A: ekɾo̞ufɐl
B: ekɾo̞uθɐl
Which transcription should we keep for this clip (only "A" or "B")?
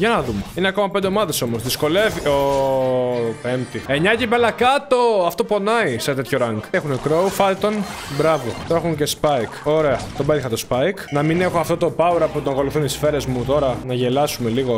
A